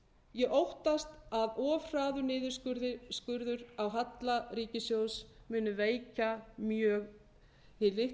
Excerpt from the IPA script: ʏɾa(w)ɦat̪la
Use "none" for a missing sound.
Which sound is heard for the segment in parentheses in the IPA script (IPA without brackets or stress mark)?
w